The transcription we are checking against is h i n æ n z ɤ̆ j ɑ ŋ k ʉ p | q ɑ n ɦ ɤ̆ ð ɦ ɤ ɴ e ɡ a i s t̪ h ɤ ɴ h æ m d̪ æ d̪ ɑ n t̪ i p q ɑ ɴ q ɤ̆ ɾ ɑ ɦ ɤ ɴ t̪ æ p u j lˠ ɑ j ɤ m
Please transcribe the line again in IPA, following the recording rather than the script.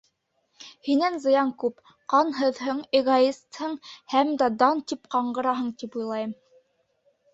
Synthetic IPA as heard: h i n æ n z ɤ̆ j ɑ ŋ k ʉ p | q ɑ n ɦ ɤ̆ ð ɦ ɤ ɴ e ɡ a i s t̪ h ɤ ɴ h æ m d̪ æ d̪ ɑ n t̪ i p q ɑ ɴ ɢ ɤ̆ ɾ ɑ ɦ ɤ ɴ t̪ i p u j lˠ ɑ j ɤ m

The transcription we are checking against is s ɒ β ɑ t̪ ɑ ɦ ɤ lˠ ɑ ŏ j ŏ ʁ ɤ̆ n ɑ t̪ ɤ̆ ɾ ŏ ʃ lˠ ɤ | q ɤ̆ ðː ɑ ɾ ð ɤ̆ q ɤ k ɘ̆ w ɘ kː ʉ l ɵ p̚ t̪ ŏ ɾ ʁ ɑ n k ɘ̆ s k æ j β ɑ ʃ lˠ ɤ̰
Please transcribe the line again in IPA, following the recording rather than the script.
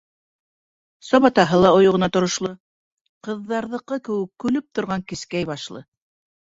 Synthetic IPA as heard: s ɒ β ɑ t̪ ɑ ɦ ɤ lˠ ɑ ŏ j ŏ ʁ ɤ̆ n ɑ t̪ ŏ ɾ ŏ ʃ lˠ ɤ | q ɤ̆ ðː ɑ ɾ ð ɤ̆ q ɤ k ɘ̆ w ɘ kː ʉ l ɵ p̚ t̪ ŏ ɾ ʁ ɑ ŋ k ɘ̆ s k æ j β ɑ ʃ lˠ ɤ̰

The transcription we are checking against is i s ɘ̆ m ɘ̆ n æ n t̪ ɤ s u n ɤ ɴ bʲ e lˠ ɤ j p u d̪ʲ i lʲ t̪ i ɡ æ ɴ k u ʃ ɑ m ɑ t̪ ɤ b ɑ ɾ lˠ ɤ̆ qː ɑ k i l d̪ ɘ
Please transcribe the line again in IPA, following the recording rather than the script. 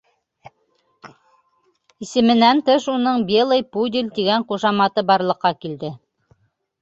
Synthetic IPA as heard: i s ɘ̆ m ɘ̆ n æ n t̪ ɤ ʃ u n ɤ ɴ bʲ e lˠ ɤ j p u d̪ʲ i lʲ t̪ i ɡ æ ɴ q u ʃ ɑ m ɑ t̪ ɤ b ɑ ɾ lˠ ɤ̆ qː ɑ k i l d̪ ɘ

